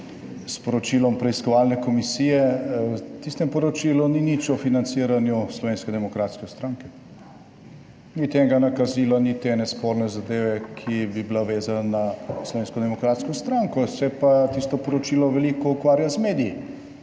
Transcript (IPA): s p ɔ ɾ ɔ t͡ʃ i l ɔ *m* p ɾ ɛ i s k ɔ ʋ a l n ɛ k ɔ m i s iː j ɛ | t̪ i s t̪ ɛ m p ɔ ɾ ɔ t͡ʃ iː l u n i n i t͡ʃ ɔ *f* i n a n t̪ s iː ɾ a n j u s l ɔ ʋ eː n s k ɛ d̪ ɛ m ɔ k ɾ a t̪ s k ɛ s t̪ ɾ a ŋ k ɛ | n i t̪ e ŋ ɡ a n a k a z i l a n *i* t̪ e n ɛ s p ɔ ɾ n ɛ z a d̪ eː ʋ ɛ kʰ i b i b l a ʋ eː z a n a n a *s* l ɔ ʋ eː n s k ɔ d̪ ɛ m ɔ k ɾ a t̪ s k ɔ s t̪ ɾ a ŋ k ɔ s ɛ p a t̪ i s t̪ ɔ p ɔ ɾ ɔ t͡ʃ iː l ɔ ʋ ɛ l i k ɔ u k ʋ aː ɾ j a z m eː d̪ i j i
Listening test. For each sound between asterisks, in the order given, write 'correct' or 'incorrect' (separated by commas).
correct, correct, correct, correct